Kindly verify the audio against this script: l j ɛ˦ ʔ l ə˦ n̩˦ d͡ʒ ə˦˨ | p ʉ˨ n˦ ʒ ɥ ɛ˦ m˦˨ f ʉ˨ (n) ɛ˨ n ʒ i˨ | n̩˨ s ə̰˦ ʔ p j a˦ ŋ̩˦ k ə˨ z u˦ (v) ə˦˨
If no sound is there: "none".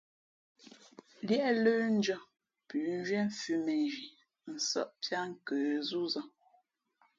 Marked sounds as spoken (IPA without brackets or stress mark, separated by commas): m, z